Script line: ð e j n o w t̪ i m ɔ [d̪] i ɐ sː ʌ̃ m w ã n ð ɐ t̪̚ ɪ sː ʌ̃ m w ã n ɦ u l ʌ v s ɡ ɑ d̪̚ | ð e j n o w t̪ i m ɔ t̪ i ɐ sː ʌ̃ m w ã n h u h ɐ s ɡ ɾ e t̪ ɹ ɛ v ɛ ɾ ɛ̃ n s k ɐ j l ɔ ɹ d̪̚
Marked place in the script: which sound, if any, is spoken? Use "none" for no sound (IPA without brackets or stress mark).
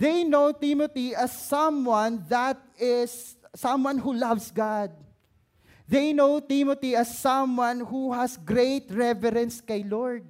t̪